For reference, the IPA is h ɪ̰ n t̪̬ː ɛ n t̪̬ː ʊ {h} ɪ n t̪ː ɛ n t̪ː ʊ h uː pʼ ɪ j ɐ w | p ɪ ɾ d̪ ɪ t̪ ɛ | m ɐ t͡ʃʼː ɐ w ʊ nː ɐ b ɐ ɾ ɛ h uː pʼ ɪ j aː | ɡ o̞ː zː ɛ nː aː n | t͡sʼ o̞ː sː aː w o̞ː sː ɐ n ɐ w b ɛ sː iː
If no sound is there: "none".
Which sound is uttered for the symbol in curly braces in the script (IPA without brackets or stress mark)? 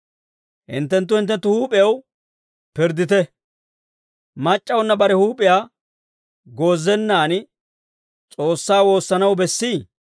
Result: h